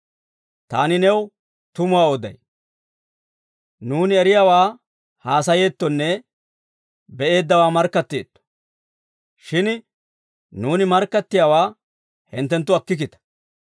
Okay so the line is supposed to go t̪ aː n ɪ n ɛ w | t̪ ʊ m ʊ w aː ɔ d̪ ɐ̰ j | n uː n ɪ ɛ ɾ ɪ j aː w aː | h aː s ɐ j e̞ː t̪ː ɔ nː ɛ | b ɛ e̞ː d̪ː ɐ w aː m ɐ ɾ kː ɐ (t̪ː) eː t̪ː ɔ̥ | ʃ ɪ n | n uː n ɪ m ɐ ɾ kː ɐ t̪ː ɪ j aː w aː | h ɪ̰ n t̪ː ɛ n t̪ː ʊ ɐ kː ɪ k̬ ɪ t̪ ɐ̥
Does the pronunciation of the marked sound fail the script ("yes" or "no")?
no